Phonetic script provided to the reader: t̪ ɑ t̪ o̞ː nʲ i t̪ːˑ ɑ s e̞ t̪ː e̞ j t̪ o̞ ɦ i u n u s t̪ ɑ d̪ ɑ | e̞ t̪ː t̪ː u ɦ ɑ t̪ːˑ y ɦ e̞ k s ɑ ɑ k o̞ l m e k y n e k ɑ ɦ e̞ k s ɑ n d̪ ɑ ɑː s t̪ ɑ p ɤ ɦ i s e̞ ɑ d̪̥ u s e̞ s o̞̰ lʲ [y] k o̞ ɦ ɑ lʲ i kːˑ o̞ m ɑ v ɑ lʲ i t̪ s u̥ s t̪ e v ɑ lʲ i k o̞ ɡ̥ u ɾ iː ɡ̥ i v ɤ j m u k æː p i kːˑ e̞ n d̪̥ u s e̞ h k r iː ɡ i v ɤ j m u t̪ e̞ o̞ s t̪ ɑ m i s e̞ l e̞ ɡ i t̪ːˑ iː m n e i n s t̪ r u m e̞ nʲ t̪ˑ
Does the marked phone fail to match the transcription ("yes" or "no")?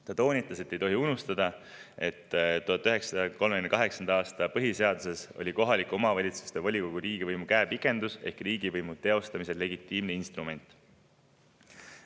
yes